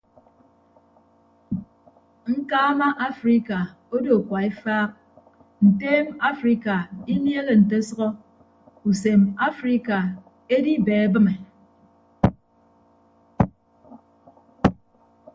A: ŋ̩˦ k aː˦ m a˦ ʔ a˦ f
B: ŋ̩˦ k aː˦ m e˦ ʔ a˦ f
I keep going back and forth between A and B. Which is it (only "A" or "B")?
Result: A